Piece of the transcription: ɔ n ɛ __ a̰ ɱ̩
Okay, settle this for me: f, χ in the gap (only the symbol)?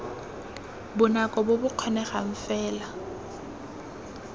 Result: χ